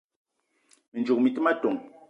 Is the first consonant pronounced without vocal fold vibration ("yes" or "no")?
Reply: no